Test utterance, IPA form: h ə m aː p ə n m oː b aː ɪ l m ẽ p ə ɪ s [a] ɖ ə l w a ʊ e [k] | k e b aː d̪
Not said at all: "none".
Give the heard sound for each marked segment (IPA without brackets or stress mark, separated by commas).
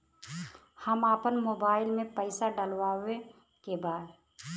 a, none